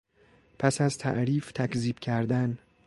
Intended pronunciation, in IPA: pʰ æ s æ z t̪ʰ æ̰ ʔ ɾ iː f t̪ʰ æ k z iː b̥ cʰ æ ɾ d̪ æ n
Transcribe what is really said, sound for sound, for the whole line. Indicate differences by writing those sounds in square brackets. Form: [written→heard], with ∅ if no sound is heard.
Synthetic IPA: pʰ æ s æ z t̪ʰ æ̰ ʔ ɾ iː f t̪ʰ æ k z iː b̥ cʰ æ ɾ d̪ æ n